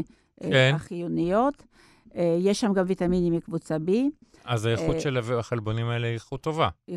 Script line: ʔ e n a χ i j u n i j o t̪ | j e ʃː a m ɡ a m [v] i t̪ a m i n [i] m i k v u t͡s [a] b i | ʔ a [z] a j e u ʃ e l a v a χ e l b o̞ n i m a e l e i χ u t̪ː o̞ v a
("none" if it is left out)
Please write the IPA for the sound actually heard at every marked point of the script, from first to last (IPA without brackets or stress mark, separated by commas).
v, i, a, z